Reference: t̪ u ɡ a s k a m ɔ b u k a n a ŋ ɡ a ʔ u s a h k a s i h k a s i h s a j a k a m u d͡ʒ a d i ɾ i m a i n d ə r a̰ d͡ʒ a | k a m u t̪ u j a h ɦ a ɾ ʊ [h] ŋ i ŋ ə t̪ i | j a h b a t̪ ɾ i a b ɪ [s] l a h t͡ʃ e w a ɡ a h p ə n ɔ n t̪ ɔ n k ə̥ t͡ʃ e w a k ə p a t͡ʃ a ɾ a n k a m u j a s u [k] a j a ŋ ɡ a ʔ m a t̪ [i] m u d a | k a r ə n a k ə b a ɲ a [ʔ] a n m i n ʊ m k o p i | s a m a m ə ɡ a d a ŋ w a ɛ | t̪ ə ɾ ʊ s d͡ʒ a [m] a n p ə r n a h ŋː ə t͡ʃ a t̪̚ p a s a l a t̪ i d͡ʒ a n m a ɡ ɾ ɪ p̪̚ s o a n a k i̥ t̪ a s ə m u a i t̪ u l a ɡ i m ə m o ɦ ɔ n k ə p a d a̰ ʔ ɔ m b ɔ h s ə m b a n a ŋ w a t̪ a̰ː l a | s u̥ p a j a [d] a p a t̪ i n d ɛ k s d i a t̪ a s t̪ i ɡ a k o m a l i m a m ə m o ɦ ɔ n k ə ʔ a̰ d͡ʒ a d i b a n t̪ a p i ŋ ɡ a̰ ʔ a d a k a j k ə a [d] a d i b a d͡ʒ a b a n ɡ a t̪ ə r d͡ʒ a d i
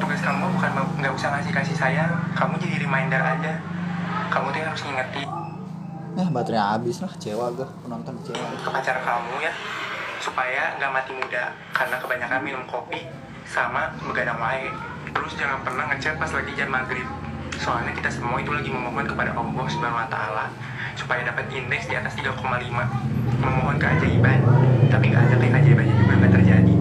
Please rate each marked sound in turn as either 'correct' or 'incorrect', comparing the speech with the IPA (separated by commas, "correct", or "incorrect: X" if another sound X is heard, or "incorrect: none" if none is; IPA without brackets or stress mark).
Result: incorrect: s, correct, incorrect: p, correct, incorrect: k, incorrect: ŋ, correct, incorrect: d͡ʒ